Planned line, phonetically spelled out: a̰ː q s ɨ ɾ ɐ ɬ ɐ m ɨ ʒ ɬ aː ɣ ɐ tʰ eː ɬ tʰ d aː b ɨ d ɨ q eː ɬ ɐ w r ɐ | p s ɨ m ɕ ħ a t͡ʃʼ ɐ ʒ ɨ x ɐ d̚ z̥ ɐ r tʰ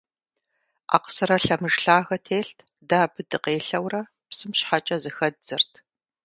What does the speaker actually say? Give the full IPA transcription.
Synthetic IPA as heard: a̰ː q s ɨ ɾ ɐ ɬ ɐ m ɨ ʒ ɬ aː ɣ ɐ tʰ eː ɬ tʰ d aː b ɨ d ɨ q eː ɬ ɐ w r ɐ | p s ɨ m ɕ ħ a t͡ʃʼ ɐ z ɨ x ɐ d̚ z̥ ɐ r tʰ